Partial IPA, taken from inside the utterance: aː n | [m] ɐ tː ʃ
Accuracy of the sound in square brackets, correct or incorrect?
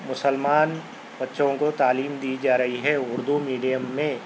incorrect